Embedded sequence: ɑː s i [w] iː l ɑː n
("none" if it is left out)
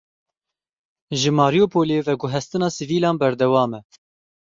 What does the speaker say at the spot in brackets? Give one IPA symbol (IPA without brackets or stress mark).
v